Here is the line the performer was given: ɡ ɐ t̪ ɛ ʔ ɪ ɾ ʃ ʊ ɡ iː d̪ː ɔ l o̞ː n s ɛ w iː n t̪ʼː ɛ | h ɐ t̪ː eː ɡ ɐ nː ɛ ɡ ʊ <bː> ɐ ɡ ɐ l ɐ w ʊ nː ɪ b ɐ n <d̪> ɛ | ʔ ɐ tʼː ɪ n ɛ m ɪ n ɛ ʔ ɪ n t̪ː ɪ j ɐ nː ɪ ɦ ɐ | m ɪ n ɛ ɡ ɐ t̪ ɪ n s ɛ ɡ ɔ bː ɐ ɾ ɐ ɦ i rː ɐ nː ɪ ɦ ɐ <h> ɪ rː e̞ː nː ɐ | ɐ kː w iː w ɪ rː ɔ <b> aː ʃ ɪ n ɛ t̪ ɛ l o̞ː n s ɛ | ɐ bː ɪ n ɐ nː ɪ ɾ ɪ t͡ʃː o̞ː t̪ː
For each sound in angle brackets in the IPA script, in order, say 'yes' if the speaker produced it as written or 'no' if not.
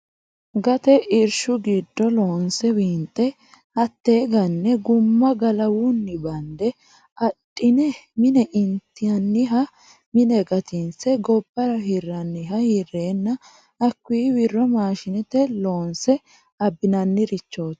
no, yes, yes, no

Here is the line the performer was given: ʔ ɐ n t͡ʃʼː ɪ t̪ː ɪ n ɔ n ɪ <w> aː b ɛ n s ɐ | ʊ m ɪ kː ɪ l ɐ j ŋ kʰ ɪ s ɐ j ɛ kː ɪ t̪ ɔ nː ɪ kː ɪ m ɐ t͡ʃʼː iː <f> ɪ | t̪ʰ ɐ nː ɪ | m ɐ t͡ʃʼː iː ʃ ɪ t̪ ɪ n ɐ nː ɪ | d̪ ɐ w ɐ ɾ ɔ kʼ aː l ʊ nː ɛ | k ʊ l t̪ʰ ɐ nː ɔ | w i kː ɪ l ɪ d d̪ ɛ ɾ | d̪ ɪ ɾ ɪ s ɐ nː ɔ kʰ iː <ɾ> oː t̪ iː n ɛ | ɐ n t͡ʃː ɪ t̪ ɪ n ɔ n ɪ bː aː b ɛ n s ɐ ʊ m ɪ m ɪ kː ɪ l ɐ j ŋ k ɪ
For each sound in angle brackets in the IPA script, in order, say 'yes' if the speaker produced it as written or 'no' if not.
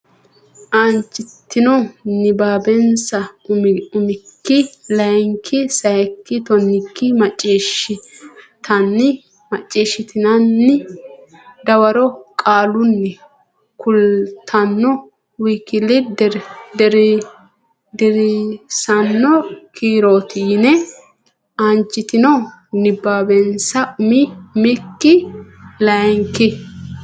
no, no, yes

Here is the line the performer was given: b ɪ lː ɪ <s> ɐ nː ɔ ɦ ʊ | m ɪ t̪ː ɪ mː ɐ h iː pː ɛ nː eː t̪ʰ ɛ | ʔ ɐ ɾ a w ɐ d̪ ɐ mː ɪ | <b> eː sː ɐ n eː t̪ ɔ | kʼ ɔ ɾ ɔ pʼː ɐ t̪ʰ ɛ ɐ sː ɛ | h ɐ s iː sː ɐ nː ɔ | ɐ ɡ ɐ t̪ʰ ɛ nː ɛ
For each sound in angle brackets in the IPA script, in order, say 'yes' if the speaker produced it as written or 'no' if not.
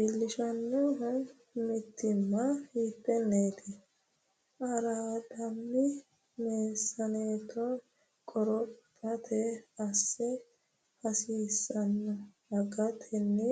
no, no

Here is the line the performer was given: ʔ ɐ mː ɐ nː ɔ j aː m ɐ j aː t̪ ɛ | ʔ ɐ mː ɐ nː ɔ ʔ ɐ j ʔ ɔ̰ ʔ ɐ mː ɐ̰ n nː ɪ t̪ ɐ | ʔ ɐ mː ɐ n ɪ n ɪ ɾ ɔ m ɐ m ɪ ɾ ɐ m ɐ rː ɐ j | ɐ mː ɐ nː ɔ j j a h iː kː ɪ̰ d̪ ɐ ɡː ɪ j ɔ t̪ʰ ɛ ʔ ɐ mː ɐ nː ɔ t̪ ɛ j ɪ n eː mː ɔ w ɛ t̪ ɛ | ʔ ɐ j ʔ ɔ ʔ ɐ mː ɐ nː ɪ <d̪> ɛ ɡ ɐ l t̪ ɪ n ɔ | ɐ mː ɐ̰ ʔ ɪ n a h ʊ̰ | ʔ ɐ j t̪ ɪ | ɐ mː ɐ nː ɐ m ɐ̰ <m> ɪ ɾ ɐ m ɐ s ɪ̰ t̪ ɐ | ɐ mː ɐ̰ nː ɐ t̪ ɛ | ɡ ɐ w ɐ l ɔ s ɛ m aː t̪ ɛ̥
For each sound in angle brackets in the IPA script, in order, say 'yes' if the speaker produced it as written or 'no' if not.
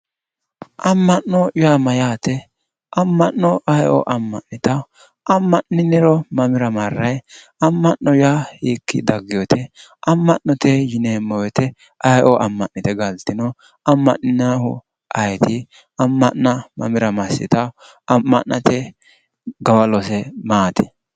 no, yes

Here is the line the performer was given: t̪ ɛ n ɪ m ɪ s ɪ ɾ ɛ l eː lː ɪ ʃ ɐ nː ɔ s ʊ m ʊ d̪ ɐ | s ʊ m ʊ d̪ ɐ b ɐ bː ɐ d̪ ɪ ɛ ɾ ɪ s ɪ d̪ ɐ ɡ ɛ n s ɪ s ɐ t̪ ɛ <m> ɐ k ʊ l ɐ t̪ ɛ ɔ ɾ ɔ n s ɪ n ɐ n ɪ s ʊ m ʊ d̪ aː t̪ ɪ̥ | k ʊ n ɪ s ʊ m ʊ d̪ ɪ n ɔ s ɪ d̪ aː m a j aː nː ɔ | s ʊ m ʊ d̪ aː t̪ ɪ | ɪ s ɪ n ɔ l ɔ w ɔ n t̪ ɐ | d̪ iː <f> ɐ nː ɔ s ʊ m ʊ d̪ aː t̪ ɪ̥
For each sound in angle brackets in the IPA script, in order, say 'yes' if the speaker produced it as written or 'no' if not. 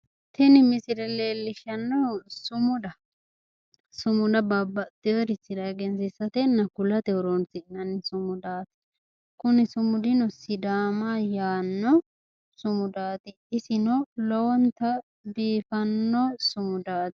no, yes

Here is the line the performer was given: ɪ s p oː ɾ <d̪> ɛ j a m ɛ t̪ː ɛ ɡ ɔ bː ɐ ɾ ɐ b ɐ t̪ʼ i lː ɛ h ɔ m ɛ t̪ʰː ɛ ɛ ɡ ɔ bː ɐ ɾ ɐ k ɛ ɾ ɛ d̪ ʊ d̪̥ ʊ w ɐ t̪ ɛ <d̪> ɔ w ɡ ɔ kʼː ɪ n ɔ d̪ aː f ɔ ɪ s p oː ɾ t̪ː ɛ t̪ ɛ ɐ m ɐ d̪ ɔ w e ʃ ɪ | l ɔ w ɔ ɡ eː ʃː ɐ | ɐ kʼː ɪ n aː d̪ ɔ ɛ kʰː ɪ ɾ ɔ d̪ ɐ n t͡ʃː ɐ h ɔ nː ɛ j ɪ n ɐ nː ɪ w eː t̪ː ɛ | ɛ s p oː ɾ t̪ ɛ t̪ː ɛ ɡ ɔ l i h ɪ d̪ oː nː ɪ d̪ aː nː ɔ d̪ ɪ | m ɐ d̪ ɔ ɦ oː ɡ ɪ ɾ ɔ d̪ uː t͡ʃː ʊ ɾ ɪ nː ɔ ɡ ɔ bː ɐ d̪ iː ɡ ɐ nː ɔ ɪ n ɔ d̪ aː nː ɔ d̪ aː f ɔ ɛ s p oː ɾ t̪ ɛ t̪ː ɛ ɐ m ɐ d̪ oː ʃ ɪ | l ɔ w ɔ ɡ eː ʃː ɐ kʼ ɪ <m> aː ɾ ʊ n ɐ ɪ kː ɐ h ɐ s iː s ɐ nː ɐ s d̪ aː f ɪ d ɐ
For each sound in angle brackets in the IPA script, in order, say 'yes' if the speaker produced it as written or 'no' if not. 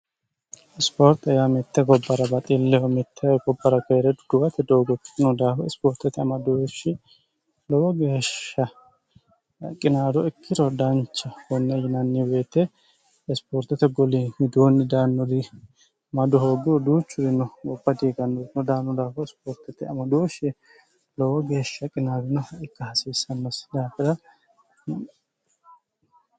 no, yes, no

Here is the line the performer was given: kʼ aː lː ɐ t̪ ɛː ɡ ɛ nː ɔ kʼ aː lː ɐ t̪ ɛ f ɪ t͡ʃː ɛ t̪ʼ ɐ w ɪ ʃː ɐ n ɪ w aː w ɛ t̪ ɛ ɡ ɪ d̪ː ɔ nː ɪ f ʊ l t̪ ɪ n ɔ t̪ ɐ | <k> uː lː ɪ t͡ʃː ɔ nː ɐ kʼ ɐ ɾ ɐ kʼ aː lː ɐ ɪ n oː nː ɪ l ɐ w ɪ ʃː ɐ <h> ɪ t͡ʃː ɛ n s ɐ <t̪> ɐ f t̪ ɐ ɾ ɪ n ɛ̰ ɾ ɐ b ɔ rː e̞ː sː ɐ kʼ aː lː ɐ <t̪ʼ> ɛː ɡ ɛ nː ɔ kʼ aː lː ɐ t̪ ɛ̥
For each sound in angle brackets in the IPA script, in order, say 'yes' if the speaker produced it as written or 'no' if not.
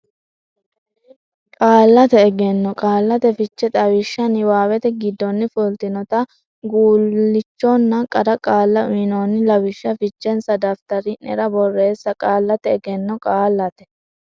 no, no, no, no

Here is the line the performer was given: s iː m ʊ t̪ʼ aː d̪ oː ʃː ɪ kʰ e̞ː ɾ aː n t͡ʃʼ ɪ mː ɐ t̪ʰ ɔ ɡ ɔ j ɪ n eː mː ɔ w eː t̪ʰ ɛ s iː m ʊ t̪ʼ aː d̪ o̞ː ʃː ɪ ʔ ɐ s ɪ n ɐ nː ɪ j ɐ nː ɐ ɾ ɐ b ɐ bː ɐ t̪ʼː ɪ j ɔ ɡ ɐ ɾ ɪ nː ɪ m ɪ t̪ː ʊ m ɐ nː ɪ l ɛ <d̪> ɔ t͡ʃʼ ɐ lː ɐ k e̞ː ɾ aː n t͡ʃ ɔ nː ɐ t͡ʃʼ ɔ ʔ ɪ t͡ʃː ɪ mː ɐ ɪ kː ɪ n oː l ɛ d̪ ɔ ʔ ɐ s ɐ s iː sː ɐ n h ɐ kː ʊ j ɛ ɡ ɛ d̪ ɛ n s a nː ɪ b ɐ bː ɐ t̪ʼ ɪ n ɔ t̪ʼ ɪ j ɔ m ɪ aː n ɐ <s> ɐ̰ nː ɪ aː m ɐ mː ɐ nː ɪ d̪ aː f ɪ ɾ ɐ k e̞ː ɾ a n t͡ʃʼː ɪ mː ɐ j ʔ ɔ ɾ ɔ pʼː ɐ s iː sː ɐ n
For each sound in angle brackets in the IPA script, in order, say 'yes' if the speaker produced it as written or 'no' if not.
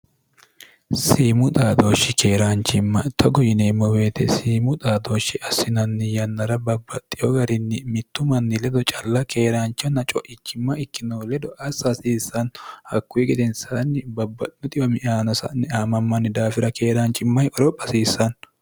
yes, yes

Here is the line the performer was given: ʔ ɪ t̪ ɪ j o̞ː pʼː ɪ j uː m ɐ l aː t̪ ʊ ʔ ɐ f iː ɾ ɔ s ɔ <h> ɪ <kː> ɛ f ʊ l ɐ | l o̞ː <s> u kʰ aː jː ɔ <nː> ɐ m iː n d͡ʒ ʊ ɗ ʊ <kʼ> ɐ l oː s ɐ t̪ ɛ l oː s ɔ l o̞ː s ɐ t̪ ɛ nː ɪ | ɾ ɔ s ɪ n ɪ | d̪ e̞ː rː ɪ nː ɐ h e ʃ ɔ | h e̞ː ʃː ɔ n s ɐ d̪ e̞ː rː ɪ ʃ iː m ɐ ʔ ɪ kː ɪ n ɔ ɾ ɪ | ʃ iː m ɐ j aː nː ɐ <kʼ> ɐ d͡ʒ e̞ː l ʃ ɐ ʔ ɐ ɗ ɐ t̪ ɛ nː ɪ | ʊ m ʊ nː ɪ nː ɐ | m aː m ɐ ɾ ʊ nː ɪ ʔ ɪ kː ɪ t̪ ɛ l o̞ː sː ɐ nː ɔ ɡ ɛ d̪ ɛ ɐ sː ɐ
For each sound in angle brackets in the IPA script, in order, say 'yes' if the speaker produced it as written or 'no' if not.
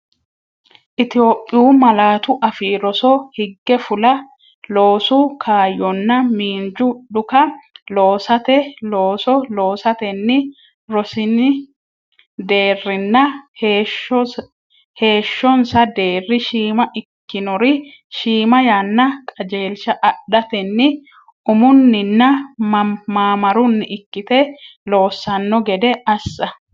yes, no, yes, yes, no, yes

